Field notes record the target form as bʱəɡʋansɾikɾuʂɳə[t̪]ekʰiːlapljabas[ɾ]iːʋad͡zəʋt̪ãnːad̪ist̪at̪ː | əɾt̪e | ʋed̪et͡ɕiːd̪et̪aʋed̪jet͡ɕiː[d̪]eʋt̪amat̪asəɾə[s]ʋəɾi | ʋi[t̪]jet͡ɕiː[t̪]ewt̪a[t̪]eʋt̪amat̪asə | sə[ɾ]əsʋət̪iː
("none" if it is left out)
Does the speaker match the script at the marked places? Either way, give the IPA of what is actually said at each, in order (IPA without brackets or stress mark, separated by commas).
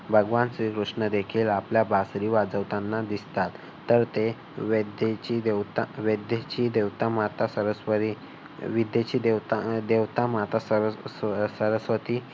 d̪, ɾ, d̪, s, d̪, d̪, d̪, ɾ